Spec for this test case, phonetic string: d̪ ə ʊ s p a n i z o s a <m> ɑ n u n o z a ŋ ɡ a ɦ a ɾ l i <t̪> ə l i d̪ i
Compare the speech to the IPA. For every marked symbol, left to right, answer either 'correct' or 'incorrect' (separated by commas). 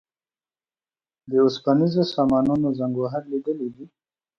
correct, incorrect